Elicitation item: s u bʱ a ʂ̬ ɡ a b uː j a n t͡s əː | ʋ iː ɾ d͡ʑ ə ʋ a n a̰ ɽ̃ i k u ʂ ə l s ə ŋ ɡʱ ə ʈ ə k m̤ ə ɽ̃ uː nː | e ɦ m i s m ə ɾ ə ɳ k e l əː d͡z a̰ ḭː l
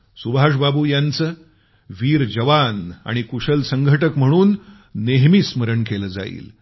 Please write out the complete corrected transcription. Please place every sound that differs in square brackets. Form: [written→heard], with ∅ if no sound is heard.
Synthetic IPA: s u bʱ a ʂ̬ [ɡ→b] a b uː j a n t͡s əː | ʋ iː ɾ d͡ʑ ə ʋ a n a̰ ɽ̃ i k u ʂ ə l s ə ŋ ɡʱ ə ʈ ə k m̤ ə ɽ̃ uː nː | e ɦ m i s m ə ɾ ə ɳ k e l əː d͡z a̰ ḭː l